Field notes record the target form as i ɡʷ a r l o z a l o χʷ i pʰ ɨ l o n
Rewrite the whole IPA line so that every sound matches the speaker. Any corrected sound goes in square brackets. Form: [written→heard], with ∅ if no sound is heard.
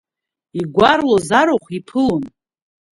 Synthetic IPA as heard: i ɡʷ a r l o z a [l→ɾ] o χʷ i pʰ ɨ l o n

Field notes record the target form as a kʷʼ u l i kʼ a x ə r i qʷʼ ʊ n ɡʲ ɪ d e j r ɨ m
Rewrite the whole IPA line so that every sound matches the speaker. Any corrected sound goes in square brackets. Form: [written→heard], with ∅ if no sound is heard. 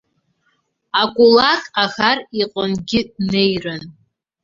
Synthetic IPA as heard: a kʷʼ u l [i→a] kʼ a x [ə→a] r i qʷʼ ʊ n ɡʲ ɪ [d→n] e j r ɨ [m→n]

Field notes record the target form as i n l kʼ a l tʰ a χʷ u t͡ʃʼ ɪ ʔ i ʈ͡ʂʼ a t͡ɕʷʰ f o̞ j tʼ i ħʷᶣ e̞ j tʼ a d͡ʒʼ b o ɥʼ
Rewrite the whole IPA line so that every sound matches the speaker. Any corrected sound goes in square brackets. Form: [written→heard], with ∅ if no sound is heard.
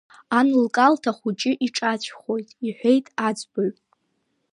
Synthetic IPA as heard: [i→a] n l kʼ a l tʰ a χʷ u t͡ʃʼ ɪ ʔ i ʈ͡ʂʼ a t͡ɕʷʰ [f→χ] o̞ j tʼ i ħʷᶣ e̞ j tʼ a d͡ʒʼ b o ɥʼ

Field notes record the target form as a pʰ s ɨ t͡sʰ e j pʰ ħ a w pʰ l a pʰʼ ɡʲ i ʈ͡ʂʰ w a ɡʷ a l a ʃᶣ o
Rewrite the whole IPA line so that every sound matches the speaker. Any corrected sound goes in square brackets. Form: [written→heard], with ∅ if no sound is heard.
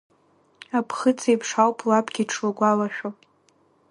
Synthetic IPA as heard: a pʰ [s→χ] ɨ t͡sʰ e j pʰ [ħ→ʂ] a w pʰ l a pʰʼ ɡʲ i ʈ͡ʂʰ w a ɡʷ a l a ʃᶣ o

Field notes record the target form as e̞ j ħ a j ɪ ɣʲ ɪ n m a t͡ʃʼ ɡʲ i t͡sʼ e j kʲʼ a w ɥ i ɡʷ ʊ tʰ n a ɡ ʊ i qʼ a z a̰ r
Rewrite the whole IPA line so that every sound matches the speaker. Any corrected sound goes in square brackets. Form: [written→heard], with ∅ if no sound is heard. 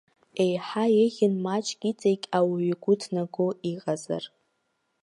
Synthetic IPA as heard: e̞ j ħ a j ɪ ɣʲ ɪ n m a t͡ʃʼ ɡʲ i t͡sʼ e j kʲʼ a w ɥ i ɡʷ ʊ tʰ n a ɡ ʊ i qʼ a z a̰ r

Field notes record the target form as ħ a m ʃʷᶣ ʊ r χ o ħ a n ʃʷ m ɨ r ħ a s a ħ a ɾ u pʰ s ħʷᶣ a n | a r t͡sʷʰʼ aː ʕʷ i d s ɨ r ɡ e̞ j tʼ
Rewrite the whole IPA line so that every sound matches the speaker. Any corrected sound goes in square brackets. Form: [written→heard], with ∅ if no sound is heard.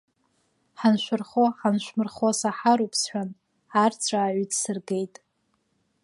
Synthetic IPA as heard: ħ a [m→n] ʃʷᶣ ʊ r χ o ħ a n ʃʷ m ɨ r [ħ→χ] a s a ħ a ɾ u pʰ s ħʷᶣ a n | a r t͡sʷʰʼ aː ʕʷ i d s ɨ r ɡ e̞ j tʼ

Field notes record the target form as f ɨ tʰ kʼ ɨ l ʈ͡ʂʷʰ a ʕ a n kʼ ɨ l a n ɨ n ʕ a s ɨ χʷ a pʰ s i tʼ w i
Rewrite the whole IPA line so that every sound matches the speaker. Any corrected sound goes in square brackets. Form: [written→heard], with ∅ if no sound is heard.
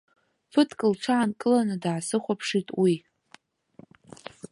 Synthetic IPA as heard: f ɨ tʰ kʼ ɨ l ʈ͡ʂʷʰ a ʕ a n kʼ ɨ l a n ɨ [n→d] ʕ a s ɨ χʷ a pʰ [s→ʂ] i tʼ w i

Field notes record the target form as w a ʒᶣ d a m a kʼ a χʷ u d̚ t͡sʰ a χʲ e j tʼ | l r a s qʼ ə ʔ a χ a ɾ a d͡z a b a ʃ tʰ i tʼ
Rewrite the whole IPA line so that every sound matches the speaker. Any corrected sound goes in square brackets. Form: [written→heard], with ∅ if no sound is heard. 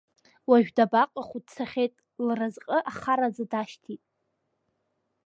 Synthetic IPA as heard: w a ʒᶣ d a [m→b] a [kʼ→qʼ] a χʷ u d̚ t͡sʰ a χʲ e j tʼ | l r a [s→z] qʼ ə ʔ a χ a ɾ a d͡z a [b→d] a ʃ tʰ i tʼ

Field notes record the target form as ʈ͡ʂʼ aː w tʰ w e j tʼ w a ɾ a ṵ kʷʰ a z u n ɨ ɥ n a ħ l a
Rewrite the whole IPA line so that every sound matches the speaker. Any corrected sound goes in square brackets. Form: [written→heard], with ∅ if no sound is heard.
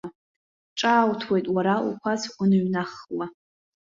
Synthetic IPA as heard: ʈ͡ʂʼ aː w tʰ w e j tʼ w a ɾ a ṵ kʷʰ a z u n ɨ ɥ n a [ħ→χ] l a

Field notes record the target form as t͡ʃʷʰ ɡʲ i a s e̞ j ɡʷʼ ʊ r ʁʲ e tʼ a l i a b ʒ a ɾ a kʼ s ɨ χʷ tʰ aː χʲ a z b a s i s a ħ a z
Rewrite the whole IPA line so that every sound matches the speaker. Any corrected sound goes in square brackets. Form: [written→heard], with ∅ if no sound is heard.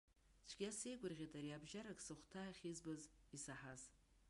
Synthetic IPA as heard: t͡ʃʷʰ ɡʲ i a s e̞ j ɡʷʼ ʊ r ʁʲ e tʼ a [l→ɾ] i a b ʒ a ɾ a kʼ s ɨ χʷ tʰ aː χʲ [a→i] z b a [s→z] i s a ħ a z

